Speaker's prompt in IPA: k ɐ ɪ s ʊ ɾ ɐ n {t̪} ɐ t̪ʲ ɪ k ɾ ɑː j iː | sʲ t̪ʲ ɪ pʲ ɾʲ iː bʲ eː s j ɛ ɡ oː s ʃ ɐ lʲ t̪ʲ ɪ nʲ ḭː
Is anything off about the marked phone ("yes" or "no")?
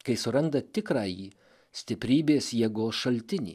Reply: yes